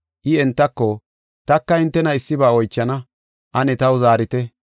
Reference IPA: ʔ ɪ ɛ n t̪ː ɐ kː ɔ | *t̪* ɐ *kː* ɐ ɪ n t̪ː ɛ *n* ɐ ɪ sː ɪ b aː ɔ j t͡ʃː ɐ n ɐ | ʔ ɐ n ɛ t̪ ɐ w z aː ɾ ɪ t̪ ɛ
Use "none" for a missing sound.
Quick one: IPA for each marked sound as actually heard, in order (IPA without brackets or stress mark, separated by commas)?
t̪, kː, n